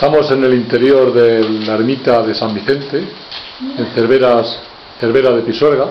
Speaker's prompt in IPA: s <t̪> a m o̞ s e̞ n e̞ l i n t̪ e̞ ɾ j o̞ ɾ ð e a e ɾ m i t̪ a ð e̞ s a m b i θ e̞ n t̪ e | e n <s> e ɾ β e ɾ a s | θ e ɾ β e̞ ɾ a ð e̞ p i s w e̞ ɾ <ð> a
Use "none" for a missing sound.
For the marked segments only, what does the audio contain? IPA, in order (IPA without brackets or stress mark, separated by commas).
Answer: t̪, θ, ɣ